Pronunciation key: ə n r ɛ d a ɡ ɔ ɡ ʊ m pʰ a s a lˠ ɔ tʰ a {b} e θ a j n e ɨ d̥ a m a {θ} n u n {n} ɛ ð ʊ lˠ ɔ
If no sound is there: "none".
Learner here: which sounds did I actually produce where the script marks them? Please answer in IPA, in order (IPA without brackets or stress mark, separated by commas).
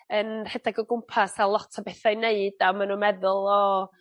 b, none, m